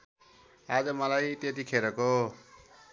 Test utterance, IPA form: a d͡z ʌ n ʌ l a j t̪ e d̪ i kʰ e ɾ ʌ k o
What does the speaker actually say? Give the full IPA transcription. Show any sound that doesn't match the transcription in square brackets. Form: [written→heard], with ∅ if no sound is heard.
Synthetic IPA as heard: a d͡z ʌ [n→m] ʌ l a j t̪ e [d̪→t̪] i kʰ e ɾ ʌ k o